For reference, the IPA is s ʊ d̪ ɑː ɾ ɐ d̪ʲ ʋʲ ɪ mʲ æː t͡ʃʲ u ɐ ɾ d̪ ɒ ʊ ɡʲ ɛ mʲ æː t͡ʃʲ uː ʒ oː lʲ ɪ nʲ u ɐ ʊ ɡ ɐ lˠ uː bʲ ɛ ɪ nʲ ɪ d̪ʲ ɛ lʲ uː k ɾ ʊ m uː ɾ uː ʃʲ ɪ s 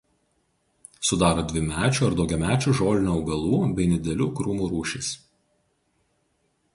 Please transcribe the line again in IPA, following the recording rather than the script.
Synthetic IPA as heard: s ʊ d̪ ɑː ɾ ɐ d̪ʲ ʋʲ ɪ mʲ æː t͡ʃʲ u ɐ ɾ d̪ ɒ ʊ ɡʲ ɛ mʲ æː t͡ʃʲ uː ʒ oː lʲ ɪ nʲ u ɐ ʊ ɡ ɐ lˠ uː bʲ ɛ ɪ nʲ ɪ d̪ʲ ɛ lʲ uː k ɾ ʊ m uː ɾ uː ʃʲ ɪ s

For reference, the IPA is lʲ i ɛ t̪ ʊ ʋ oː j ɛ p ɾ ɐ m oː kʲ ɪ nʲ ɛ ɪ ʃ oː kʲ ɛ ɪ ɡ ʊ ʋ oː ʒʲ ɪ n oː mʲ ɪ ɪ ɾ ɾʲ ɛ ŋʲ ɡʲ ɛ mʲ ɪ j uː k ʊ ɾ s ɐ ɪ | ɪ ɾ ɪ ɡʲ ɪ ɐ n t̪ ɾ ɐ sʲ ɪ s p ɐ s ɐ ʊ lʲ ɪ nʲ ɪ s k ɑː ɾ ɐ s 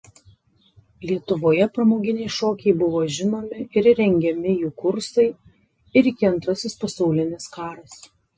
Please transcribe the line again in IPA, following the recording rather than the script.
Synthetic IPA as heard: lʲ i ɛ t̪ ʊ ʋ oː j ɛ p ɾ ɐ m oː ɡʲ ɪ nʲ ɛ ɪ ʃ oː kʲ ɛ ɪ b ʊ ʋ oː ʒʲ ɪ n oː mʲ ɪ ɪ ɾ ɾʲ ɛ ŋʲ ɡʲ ɛ mʲ ɪ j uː k ʊ ɾ s ɐ ɪ | ɪ ɾ ɪ kʲ ɪ ɐ n t̪ ɾ ɐ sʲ ɪ s p ɐ s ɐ ʊ lʲ ɪ nʲ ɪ s k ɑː ɾ ɐ s

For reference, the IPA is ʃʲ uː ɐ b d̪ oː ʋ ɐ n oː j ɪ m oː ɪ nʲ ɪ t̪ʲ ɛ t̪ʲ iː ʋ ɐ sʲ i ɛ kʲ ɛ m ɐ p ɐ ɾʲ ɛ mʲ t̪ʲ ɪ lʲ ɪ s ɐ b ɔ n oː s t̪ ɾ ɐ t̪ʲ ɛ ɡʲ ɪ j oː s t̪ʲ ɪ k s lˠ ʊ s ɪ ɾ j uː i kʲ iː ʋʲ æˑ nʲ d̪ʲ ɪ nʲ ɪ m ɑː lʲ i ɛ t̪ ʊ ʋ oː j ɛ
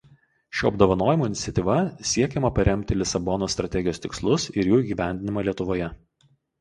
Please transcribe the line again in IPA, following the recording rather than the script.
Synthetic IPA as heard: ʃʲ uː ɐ b d̪ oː ʋ ɐ n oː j ɪ m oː ɪ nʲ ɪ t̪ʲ ɛ t̪ʲ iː ʋ ɐ sʲ i ɛ kʲ ɛ m ɐ p ɐ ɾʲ ɛ mʲ t̪ʲ ɪ lʲ ɪ s ɐ b ɔ n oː s t̪ ɾ ɐ t̪ʲ ɛ ɡʲ ɪ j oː s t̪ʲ ɪ k s lˠ ʊ s ɪ ɾ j uː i ɡʲ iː ʋʲ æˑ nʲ d̪ʲ ɪ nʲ ɪ m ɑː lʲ i ɛ t̪ ʊ ʋ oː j ɛ

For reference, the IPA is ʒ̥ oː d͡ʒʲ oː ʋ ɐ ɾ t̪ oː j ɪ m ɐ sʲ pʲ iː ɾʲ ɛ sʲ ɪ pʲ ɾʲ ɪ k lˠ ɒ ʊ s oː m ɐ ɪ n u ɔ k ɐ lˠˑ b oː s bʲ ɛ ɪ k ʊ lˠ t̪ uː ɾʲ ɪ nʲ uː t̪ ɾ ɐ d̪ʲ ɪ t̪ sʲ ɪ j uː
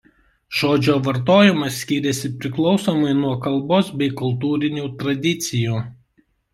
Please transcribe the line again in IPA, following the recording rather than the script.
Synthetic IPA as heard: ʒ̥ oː d͡ʒʲ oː ʋ ɐ ɾ t̪ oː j ɪ m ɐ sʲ kʲ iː ɾʲ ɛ sʲ ɪ pʲ ɾʲ ɪ k lˠ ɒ ʊ s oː m ɐ ɪ n u ɔ k ɐ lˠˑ b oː s bʲ ɛ ɪ k ʊ lˠ t̪ uː ɾʲ ɪ nʲ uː t̪ ɾ ɐ d̪ʲ ɪ t̪ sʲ ɪ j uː

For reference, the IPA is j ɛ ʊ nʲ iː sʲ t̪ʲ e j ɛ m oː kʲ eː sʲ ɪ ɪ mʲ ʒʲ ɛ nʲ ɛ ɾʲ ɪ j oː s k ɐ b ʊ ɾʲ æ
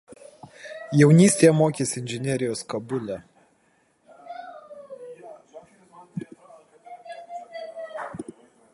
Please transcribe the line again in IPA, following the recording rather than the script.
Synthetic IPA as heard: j ɛ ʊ nʲ iː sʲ t̪ʲ e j ɛ m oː kʲ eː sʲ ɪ ɪ nʲ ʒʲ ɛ nʲ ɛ ɾʲ ɪ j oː s k ɐ b ʊ lʲ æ

